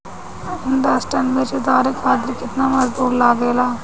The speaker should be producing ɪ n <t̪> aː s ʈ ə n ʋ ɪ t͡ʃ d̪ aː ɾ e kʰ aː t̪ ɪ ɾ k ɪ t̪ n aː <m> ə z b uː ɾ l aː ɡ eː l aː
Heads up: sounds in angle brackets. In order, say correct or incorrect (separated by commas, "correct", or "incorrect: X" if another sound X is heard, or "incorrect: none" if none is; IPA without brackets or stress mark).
incorrect: d̪, correct